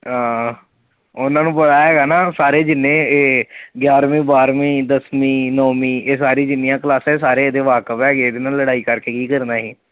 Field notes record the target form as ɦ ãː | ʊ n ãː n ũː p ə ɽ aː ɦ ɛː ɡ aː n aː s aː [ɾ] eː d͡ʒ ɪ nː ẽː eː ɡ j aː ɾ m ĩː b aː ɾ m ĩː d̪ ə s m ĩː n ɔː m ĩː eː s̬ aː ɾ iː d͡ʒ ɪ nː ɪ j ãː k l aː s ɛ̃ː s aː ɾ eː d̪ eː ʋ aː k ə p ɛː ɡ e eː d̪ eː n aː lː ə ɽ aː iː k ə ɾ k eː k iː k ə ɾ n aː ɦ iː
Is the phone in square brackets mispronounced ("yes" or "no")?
no